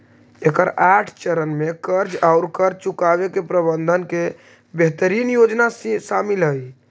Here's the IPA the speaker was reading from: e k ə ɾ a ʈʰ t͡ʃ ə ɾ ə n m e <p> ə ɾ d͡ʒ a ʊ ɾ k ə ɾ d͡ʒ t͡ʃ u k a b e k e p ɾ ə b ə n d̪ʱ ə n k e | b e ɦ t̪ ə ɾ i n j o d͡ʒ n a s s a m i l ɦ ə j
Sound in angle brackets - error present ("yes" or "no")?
yes